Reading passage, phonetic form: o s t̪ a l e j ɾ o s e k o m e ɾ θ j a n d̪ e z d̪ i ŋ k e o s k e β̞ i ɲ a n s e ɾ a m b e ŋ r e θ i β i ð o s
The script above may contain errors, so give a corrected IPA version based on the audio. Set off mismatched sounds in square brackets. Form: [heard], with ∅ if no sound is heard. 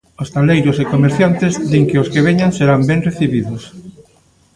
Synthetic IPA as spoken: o s t̪ a l e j ɾ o s e k o m e ɾ θ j a n [t̪] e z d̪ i ŋ k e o s k e β̞ [e] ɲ a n s e ɾ a m b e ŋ r e θ i β i ð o s